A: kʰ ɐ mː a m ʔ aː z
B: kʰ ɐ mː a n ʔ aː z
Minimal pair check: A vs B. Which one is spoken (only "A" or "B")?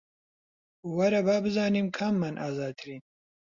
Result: B